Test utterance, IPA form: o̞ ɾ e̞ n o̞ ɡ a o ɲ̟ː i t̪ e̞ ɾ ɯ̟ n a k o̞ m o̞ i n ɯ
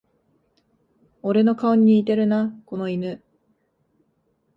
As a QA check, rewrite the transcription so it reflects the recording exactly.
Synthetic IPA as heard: o̞ ɾ e̞ n o̞ k a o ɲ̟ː iː t̪ e̞ ɾ ɯ̟ n a k o̞ n o̞ i n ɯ

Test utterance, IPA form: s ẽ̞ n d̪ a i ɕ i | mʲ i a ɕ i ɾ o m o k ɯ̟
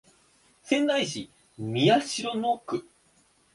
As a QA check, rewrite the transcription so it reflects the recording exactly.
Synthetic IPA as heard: s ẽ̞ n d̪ a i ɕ i | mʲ i a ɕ i ɾ o n o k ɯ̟

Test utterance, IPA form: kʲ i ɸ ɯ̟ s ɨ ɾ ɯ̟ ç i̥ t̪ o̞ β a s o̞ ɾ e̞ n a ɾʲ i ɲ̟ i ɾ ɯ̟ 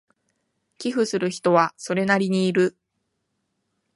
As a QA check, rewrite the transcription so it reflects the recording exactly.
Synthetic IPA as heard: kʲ i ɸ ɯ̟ s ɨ ɾ ɯ̟ ç i̥ t̪ o̞ β a s o̞ ɾ e̞ n a ɾʲ i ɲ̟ iː ɾ ɯ̟

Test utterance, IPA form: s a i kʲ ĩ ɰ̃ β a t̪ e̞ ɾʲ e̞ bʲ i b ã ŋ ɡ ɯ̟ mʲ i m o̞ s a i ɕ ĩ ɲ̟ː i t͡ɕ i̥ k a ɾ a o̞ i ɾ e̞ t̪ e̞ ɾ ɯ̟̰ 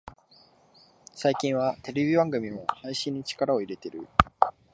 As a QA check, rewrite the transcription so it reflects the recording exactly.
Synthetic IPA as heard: s a i kʲ ĩ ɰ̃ β a t̪ e̞ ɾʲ e̞ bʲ i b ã ŋ ɡ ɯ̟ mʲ i m o̞ h a i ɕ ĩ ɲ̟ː i t͡ɕ i̥ k a ɾ a o̞ i ɾ e̞ t̪ e̞ ɾ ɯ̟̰

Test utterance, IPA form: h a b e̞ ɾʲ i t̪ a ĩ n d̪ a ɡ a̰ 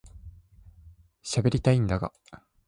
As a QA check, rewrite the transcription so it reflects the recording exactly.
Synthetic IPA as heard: ɕ a b e̞ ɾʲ i t̪ a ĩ n d̪ a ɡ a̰

